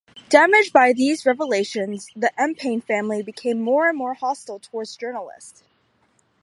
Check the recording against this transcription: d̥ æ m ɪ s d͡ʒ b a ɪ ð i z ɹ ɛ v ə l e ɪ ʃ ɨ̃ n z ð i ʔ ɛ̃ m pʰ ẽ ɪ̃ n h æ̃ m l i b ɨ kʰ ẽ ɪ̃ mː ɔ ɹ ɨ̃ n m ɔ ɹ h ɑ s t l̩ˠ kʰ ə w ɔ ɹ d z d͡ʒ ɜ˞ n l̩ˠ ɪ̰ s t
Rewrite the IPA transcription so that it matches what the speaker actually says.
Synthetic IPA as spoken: d̥ æ m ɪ d͡ʒ b a ɪ ð i z ɹ ɛ v ə l e ɪ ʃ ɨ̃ n z ð i ʔ ɛ̃ m pʰ ẽ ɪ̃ n f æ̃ m l i b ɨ kʰ ẽ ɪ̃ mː ɔ ɹ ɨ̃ n m ɔ ɹ h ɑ s t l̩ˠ tʰ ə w ɔ ɹ d z d͡ʒ ɜ˞ n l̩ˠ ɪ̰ s t